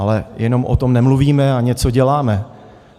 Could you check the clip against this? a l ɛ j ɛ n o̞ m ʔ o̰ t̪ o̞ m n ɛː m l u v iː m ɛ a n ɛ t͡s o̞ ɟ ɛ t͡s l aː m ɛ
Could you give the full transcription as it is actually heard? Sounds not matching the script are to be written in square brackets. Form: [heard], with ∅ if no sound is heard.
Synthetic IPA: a l ɛ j ɛ n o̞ m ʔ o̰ t̪ o̞ m n [ɛ] m l u v iː m ɛ a [ɲ] ɛ t͡s o̞ ɟ ɛ [∅] l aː m ɛ